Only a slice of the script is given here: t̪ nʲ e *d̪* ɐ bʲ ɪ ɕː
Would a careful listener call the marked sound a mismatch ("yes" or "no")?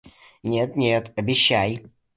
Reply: yes